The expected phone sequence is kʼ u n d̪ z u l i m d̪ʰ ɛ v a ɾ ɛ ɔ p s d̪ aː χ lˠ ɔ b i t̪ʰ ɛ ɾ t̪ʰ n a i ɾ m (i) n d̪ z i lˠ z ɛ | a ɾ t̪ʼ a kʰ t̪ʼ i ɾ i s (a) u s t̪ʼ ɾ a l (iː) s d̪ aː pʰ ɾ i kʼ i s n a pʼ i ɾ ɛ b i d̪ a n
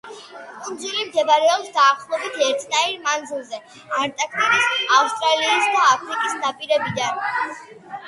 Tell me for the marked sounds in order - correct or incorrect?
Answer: incorrect, correct, correct

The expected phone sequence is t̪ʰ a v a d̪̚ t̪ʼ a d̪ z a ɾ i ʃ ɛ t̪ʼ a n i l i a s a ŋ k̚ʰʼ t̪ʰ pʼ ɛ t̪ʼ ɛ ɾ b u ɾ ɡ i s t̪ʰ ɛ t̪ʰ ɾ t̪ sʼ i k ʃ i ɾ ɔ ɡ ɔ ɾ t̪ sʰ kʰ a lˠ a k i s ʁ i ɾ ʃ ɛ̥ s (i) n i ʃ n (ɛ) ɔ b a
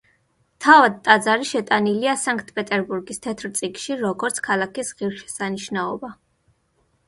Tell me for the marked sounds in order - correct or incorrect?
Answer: incorrect, incorrect

